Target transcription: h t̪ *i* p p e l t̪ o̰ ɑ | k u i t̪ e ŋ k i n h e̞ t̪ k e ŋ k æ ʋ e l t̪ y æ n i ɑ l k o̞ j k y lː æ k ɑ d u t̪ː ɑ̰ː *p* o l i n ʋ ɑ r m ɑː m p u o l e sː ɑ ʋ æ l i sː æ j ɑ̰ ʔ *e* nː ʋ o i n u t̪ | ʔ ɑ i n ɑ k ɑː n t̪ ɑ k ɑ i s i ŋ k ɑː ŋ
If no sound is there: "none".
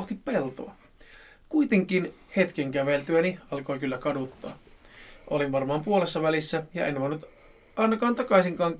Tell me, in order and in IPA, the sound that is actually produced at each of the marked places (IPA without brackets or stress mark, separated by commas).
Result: i, ʔ, e